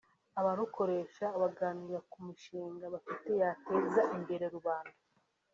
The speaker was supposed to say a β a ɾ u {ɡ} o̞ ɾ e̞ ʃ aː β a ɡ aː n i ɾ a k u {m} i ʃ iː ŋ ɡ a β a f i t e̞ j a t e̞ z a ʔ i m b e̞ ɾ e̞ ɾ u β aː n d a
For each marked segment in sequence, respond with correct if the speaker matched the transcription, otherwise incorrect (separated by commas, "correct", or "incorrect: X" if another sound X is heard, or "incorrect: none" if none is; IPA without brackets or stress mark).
incorrect: k, correct